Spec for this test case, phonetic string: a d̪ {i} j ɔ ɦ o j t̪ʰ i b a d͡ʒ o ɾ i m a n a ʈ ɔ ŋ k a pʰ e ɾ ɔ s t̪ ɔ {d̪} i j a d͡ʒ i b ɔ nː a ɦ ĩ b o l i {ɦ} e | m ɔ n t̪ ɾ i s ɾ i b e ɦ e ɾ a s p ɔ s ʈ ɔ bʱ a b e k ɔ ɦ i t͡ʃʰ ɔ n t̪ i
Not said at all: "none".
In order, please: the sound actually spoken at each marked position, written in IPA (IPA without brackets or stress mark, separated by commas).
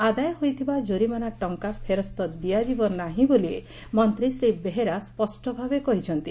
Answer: a, d̪, none